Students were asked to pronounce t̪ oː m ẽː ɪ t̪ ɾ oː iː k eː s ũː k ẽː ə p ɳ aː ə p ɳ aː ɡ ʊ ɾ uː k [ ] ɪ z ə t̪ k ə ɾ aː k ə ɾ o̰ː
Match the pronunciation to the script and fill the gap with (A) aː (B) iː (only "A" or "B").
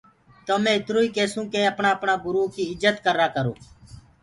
B